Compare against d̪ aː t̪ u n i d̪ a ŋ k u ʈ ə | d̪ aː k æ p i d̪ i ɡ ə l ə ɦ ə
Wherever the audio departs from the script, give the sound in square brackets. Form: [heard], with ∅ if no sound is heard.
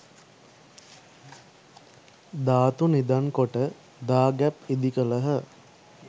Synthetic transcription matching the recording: d̪ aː t̪ u n i d̪ a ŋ k [o] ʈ ə | d̪ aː [ɡ] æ p i d̪ i [k] ə l ə ɦ ə